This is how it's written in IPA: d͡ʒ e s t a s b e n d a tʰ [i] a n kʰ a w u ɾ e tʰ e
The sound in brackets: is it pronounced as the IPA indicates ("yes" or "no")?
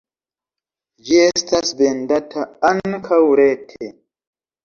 no